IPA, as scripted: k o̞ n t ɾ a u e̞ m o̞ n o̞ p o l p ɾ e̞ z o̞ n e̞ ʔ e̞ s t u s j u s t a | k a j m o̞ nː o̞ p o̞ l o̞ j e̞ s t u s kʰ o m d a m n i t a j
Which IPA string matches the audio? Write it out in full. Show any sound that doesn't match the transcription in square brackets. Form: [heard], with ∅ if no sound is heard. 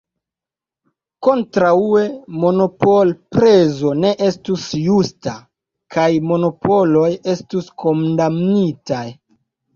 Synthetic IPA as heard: k o̞ n t ɾ a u e̞ m o̞ n o̞ p o l p ɾ e̞ z o̞ n e̞ ʔ e̞ s t u s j u s t a | k a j m o̞ [n] o̞ p o̞ l o̞ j e̞ s t u s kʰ o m d a m n i t a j